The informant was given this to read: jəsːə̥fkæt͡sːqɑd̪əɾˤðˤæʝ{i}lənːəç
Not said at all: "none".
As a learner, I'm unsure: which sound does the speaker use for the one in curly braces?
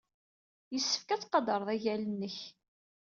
æ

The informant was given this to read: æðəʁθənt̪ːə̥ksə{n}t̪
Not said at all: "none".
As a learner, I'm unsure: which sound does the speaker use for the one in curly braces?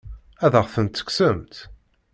m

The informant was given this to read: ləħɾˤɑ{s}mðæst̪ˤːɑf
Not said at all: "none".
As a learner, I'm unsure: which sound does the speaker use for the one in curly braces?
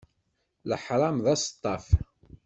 none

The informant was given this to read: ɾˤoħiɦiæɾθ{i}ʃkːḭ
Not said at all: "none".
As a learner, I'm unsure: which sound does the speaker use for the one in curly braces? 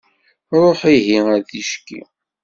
i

